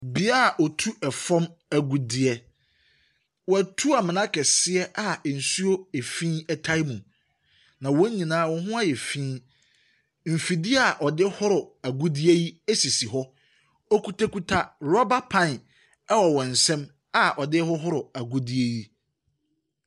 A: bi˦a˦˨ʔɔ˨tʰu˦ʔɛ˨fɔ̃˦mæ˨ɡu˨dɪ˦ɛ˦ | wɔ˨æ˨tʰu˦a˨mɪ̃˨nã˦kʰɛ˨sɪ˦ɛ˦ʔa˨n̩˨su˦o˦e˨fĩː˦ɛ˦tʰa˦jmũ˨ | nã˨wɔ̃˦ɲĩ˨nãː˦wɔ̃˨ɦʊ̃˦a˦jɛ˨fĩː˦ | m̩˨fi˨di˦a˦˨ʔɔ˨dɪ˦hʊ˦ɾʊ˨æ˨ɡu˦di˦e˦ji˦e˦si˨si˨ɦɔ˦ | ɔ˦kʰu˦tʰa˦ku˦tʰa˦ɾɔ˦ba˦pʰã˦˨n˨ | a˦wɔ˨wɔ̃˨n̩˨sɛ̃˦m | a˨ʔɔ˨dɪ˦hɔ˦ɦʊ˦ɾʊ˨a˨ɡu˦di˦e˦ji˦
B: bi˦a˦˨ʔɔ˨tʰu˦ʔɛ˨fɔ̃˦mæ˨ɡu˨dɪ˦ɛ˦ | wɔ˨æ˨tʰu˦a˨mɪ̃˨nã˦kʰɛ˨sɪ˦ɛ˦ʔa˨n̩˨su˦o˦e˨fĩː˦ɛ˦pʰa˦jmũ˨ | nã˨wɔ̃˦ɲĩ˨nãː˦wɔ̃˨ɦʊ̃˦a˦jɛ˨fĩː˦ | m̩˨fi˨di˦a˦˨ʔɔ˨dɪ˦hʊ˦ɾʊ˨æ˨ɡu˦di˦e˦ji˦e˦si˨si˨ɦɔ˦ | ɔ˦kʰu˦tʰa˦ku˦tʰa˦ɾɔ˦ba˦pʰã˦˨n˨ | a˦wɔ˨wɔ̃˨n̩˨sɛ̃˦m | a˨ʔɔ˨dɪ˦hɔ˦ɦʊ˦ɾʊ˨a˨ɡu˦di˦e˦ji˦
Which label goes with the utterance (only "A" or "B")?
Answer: A